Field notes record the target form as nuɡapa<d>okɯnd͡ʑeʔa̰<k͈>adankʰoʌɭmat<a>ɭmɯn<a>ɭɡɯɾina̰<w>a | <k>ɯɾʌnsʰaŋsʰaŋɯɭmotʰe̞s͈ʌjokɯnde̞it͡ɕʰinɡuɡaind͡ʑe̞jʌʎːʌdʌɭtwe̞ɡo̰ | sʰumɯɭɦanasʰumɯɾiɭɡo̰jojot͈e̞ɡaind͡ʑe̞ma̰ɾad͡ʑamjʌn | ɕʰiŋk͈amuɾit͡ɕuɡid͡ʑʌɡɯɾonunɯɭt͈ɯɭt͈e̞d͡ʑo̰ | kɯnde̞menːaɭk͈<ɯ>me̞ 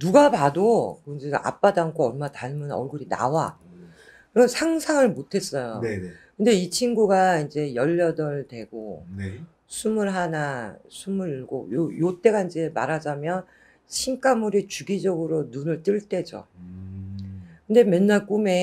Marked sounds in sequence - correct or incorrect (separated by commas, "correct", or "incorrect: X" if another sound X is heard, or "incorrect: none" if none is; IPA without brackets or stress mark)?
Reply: correct, incorrect: p͈, correct, incorrect: ʌ, correct, correct, incorrect: u